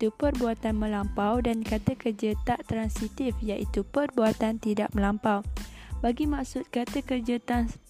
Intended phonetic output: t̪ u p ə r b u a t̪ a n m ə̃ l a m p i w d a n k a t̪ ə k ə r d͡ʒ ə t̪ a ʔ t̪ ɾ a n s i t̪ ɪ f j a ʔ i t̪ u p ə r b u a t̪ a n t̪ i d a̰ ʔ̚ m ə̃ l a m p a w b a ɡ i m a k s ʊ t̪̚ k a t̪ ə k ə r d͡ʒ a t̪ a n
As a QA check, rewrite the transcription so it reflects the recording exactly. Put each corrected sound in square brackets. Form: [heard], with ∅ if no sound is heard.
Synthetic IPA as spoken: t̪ u p ə r b u a t̪ a n m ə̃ l a m p [a] w d a n k a t̪ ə k ə r d͡ʒ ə t̪ a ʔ t̪ ɾ a n s i t̪ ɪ f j a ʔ i t̪ u p ə r b u a t̪ a n t̪ i d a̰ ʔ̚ m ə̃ l a m p a w b a ɡ i m a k s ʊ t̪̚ k a t̪ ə k ə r d͡ʒ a t̪ a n